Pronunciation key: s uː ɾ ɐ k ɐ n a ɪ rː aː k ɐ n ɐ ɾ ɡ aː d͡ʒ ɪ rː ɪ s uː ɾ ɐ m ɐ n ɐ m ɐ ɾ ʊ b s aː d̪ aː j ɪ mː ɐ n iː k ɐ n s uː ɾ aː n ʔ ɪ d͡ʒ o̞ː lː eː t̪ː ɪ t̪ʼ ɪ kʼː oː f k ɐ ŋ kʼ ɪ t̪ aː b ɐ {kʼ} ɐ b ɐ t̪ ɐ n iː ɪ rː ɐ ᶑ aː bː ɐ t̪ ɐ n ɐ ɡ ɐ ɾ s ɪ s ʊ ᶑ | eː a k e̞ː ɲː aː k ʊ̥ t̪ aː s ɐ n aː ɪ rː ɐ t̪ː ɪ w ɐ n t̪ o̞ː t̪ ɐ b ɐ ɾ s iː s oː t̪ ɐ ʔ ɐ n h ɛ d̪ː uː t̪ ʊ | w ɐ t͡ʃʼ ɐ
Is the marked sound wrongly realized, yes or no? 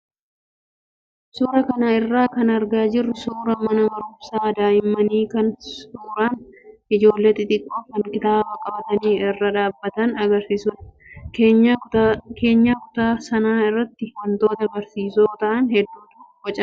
no